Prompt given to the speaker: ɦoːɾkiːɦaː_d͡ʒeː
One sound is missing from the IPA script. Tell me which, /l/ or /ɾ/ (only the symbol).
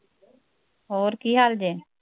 l